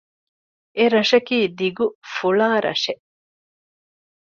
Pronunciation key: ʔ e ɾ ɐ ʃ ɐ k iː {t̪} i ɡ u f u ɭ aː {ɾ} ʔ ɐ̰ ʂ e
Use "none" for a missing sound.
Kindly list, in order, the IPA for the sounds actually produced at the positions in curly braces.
d̪, ɾ

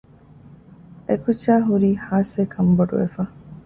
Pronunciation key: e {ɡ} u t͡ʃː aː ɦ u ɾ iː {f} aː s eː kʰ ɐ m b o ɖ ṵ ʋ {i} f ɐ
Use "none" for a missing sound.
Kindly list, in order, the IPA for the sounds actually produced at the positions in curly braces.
k, h, e

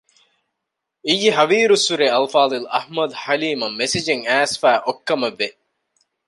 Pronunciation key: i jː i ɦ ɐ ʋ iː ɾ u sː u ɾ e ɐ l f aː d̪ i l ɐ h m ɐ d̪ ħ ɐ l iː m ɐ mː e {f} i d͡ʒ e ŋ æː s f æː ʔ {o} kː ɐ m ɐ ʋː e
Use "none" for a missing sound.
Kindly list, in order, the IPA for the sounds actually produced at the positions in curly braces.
s, o

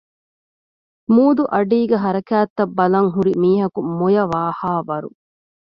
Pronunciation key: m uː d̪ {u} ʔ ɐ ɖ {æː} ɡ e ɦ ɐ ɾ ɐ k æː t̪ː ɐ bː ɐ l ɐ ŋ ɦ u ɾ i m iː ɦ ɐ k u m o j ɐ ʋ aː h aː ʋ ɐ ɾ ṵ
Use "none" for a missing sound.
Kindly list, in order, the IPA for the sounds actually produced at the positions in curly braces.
u, iː

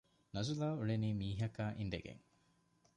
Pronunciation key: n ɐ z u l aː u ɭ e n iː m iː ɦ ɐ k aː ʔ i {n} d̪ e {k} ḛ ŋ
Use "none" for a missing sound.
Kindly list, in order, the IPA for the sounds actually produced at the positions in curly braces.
n, ɡ

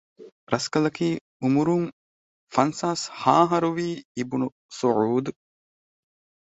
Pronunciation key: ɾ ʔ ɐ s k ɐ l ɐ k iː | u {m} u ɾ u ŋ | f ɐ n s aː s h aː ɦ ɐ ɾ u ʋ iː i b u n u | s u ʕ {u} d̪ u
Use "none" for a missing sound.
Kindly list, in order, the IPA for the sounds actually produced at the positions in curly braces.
m, uː

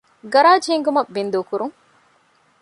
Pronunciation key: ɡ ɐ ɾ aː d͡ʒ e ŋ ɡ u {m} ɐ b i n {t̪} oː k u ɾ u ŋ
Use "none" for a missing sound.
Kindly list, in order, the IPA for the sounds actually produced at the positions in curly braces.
m, d̪

